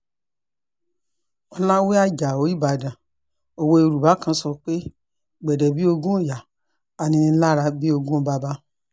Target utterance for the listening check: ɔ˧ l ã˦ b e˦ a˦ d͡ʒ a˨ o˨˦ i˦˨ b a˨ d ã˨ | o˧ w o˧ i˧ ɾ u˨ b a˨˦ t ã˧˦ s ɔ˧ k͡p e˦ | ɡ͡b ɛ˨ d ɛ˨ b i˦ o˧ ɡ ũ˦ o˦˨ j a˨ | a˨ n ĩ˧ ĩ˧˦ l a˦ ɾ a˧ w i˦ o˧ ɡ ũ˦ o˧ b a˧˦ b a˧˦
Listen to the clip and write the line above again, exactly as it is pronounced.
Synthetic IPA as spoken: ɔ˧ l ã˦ w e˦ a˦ d͡ʒ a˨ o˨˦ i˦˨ b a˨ d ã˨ | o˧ w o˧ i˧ ɾ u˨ b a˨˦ k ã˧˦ s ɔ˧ k͡p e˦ | ɡ͡b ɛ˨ d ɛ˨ b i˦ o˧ ɡ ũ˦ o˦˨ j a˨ | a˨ n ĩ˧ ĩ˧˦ l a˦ ɾ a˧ b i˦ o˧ ɡ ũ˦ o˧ b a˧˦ b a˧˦